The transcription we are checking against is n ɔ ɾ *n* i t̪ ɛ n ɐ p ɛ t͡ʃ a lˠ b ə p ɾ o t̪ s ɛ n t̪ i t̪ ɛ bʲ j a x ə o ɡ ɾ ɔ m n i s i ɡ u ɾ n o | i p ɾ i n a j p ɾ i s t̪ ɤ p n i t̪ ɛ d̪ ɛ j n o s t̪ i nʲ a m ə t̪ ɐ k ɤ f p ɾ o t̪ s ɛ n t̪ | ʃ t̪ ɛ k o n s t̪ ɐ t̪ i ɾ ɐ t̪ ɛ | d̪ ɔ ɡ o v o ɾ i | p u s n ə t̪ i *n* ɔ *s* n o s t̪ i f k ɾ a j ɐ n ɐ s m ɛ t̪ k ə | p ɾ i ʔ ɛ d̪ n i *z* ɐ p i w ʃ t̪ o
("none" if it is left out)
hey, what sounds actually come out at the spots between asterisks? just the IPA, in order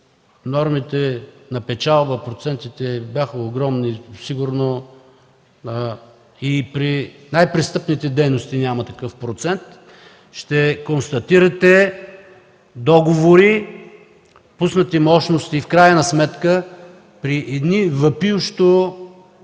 m, m, ʃ, v

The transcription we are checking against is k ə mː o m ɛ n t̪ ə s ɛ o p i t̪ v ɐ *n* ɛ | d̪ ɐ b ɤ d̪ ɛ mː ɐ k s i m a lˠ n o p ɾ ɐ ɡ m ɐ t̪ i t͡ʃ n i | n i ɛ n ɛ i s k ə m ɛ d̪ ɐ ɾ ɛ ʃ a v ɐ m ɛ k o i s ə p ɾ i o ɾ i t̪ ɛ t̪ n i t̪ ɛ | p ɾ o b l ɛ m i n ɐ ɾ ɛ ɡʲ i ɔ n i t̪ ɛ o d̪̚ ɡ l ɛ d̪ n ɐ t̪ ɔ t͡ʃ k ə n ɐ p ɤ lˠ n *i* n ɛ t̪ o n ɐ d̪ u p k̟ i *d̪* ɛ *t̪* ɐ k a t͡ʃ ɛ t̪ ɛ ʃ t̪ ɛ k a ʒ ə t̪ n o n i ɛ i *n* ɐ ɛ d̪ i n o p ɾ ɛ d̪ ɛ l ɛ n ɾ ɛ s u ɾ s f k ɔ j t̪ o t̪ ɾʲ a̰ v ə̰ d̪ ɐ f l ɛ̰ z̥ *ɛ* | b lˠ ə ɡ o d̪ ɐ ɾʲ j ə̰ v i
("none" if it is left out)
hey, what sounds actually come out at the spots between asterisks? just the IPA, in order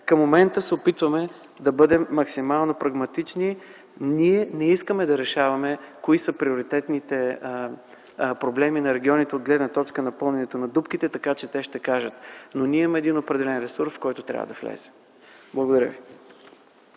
m, ɛ, t̪, t̪, m, ɛ

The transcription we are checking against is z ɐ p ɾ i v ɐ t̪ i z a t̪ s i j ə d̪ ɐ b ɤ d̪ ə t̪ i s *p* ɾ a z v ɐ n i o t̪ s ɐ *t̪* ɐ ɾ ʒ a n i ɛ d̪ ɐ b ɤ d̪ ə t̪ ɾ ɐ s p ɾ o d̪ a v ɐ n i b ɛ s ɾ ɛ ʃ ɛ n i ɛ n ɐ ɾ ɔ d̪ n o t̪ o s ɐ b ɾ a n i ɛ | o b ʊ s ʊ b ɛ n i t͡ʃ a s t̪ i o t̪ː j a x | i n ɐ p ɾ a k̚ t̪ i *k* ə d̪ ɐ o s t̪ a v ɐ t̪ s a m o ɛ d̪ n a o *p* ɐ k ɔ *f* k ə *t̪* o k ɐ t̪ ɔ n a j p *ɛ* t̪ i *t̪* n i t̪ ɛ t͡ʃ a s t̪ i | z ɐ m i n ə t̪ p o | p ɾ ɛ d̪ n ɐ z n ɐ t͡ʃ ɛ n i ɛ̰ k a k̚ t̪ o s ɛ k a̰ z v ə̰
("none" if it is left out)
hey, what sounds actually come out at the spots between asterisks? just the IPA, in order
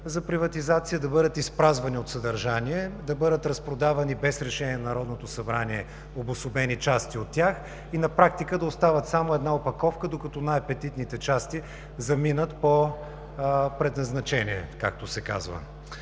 p, d̪, k, p, f, d̪, ɛ, t̪

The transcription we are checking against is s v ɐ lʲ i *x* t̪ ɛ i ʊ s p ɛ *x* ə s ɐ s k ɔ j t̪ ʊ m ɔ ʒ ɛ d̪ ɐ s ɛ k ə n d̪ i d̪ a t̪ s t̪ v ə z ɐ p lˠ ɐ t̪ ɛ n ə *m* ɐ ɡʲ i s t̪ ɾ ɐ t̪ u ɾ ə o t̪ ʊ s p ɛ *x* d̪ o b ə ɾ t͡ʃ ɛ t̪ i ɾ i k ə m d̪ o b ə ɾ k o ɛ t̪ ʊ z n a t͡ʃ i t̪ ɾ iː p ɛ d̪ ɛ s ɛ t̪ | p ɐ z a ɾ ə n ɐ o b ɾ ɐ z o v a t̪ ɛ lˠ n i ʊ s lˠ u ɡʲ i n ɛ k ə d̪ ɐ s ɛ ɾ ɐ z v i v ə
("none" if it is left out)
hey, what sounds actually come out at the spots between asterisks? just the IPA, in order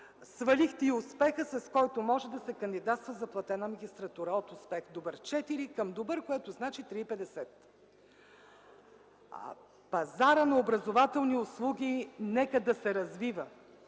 x, x, m, x

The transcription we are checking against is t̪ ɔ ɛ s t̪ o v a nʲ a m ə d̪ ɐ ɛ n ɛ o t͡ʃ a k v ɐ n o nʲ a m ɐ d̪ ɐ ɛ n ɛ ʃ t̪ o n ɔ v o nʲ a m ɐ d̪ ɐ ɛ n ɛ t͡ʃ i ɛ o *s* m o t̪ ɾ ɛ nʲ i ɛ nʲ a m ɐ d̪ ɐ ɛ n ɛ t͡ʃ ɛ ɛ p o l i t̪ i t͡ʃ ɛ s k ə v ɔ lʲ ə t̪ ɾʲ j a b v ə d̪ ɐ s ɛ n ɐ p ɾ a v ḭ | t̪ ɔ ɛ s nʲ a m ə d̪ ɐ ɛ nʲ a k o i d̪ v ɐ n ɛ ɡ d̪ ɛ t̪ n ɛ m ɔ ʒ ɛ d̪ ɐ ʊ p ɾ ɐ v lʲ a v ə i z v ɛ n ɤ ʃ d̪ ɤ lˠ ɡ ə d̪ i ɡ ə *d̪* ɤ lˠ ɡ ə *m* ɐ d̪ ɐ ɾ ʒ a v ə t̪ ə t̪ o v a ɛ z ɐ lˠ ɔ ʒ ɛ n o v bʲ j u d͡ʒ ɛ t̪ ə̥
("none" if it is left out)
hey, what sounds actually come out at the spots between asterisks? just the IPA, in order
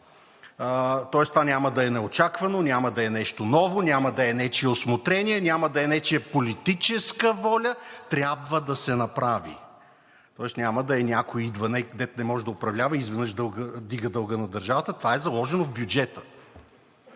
s, d̪, n

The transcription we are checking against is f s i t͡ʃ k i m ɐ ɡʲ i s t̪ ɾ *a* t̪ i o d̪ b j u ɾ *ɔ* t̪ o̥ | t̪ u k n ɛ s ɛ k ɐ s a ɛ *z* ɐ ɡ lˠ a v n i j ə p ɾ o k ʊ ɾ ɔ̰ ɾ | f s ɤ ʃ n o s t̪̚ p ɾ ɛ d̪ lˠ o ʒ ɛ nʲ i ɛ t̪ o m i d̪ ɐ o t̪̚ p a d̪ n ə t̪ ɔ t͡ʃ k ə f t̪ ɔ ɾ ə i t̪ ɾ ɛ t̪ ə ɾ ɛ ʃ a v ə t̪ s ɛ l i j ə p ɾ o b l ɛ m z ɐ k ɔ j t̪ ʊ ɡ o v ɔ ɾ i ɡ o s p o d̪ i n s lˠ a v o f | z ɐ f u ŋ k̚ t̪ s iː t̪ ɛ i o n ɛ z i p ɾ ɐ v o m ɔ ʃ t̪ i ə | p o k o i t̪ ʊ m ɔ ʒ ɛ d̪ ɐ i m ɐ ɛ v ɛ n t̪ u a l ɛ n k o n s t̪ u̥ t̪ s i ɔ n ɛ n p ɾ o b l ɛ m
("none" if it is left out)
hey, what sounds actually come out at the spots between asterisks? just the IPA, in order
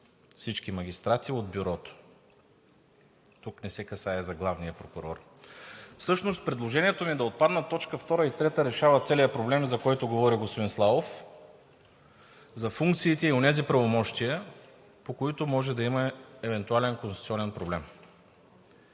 a, ɔ, z

